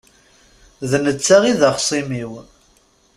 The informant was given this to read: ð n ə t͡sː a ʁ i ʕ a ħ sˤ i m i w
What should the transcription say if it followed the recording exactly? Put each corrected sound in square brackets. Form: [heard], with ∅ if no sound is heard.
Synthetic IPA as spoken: ð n ə t͡sː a ʁ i [ð] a [χ] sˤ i m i w